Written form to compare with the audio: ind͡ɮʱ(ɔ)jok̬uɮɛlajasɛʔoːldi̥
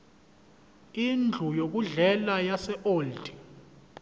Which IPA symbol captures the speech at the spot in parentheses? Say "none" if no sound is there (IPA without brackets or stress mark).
u